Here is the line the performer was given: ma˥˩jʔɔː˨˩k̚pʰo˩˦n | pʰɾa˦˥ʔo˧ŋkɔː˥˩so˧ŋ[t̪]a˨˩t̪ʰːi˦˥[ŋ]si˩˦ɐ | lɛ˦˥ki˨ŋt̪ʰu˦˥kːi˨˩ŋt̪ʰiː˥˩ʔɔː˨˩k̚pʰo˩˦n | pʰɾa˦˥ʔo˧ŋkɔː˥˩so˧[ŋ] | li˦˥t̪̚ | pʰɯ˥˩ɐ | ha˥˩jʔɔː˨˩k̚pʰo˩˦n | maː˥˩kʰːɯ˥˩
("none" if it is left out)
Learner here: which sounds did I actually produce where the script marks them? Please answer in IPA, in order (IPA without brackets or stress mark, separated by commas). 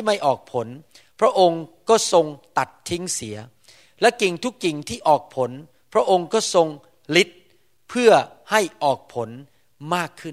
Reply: t̪, ŋ, ŋ